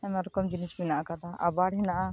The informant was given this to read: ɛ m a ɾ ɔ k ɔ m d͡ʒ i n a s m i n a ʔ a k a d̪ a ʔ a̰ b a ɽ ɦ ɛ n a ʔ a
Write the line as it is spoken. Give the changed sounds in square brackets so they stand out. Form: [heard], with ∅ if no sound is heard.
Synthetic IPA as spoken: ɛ m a ɾ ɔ k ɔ m d͡ʒ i n [i] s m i n a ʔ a k a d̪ a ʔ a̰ b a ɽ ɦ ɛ n a ʔ a